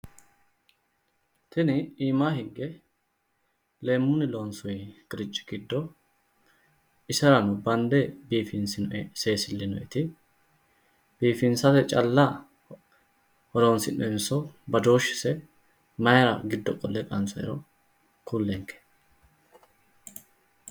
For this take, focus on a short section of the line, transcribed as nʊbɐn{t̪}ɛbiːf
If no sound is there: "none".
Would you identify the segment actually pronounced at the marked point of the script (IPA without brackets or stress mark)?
d̪